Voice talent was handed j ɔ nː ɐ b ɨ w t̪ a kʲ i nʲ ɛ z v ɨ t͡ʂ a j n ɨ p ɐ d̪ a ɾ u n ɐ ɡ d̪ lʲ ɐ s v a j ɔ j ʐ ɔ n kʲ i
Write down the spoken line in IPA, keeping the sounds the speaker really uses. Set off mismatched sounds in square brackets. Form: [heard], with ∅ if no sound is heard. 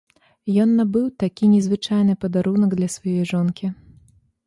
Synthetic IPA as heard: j ɔ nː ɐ b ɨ w t̪ a kʲ i nʲ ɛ z v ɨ t͡ʂ a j n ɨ p ɐ d̪ a ɾ u n ɐ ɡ d̪ lʲ ɐ s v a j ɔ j ʐ ɔ n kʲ i